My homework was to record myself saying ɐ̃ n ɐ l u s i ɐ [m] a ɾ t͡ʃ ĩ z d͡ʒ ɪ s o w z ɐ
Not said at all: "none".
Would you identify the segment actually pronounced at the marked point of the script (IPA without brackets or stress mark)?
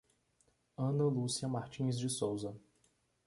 m